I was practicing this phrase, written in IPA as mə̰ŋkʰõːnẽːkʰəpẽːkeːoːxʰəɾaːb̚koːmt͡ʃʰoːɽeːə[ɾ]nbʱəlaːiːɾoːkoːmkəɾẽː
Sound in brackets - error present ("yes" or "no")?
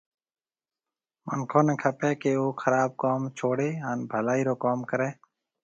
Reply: yes